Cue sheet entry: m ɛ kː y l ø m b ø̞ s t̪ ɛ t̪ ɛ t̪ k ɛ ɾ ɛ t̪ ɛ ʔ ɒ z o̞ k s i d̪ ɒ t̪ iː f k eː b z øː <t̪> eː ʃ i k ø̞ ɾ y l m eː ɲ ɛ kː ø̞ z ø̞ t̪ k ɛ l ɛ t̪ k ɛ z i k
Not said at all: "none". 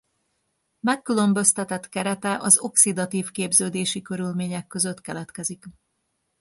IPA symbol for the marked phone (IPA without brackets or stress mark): d̪